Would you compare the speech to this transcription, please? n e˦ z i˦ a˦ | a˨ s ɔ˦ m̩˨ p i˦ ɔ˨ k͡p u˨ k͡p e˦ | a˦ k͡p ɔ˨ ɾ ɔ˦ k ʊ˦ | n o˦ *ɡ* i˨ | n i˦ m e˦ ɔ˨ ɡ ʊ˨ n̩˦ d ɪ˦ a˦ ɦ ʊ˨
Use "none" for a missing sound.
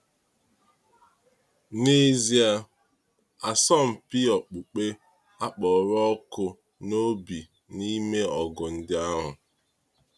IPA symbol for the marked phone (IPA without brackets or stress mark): b